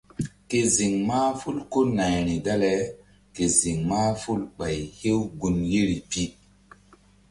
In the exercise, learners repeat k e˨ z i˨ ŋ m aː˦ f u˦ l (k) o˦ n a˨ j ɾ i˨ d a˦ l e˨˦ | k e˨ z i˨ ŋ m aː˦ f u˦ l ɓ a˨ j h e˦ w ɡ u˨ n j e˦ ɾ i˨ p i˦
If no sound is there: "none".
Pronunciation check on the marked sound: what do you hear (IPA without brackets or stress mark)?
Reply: k